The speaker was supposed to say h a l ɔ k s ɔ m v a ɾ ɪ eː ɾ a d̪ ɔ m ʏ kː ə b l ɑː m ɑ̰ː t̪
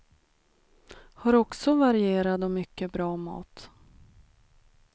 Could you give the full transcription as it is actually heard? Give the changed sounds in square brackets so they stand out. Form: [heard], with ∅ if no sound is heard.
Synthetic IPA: h a [ɾ] ɔ k s ɔ [∅] v a ɾ ɪ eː ɾ a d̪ ɔ m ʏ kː ə b [ɾ] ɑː m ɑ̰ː t̪